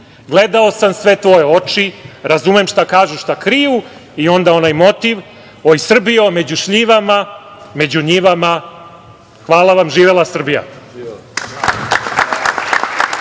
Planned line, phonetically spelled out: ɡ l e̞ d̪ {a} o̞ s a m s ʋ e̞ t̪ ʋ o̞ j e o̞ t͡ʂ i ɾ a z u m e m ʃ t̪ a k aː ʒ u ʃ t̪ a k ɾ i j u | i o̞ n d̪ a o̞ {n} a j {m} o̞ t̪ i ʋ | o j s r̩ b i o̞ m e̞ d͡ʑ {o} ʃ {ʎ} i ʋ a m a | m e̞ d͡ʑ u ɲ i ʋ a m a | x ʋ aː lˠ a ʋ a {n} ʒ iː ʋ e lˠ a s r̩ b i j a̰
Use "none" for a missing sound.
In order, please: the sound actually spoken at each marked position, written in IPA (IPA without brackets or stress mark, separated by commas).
a, n, m, u, ʎ, m